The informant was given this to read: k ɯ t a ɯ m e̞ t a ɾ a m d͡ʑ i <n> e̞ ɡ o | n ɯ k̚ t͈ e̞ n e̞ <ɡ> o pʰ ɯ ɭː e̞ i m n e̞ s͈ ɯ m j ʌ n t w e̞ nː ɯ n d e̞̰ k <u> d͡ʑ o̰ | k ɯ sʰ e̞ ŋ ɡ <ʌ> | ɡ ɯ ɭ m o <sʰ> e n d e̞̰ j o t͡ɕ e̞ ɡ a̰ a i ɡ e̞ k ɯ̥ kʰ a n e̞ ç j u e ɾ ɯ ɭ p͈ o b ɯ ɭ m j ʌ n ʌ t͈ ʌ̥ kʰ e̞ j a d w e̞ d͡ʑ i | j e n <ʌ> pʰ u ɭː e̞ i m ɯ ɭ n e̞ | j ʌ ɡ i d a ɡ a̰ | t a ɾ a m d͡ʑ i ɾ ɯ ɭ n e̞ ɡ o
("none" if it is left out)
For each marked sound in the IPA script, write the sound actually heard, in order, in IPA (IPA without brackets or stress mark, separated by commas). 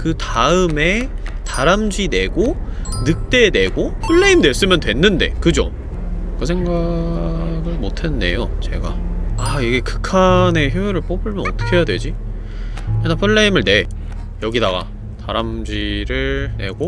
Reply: n, ɡ, ɯ, a, tʰ, a